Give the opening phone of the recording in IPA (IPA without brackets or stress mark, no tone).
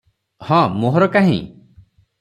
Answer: h